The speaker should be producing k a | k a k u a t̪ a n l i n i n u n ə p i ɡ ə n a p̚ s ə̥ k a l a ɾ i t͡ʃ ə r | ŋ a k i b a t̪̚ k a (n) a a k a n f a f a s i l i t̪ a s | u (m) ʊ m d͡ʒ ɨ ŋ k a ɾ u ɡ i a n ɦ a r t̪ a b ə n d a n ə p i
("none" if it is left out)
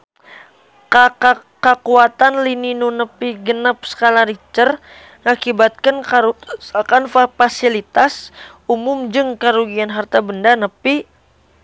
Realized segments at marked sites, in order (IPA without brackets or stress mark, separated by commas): n, m